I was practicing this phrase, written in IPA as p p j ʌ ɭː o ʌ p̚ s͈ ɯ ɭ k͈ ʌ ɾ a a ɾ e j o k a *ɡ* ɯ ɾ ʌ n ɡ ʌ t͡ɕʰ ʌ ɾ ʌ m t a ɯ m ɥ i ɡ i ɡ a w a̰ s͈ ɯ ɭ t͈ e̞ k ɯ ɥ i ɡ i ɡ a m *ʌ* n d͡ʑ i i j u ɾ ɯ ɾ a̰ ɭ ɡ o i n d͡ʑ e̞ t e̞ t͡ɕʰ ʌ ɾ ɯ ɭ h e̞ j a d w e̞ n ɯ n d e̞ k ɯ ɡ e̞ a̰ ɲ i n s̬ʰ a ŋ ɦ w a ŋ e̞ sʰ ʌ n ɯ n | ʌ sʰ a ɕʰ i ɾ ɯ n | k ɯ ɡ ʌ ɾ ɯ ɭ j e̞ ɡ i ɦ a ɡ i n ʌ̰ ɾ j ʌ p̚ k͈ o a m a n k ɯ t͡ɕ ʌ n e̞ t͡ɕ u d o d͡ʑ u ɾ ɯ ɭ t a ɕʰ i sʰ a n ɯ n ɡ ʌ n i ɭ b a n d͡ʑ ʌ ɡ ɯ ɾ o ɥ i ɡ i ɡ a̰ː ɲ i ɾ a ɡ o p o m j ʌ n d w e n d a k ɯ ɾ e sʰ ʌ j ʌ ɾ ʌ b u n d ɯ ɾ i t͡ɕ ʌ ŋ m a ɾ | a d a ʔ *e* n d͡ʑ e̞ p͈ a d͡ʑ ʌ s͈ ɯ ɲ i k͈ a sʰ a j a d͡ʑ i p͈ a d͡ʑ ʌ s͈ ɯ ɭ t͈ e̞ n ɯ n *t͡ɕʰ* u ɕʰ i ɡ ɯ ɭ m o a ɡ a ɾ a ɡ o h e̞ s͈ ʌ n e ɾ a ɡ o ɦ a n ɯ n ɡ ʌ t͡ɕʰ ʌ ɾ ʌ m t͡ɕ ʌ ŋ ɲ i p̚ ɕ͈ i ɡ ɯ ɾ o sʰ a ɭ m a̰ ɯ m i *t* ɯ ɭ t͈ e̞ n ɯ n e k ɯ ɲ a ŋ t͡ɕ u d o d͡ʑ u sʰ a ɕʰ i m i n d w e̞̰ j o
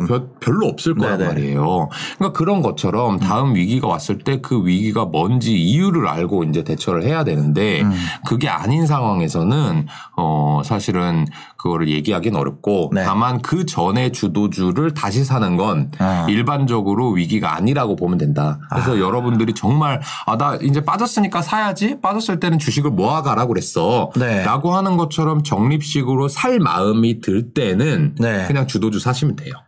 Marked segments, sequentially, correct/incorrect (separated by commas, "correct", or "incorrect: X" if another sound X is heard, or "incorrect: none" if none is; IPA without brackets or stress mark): incorrect: k, correct, incorrect: i, incorrect: t͡ɕ, correct